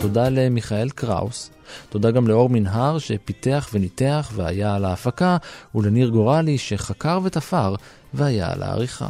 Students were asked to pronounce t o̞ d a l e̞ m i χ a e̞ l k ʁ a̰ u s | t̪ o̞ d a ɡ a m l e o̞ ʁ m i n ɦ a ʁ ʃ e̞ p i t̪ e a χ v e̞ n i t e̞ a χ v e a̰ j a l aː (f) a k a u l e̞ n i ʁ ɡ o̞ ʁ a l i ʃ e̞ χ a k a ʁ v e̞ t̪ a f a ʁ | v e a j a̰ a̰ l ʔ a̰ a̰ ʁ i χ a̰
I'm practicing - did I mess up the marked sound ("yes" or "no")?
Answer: no